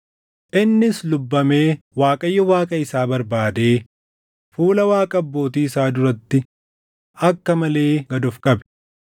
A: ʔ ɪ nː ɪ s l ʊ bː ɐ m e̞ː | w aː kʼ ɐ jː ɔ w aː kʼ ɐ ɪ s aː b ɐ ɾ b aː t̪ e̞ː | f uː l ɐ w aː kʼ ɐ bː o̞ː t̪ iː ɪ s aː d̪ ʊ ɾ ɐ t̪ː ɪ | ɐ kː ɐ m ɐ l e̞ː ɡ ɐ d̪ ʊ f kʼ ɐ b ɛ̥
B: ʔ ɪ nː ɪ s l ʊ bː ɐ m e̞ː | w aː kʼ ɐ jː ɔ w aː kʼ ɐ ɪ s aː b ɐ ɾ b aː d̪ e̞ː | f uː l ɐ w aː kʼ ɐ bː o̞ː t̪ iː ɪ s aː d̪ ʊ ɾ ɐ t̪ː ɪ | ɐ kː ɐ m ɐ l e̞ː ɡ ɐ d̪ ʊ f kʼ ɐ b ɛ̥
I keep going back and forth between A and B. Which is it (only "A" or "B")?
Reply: B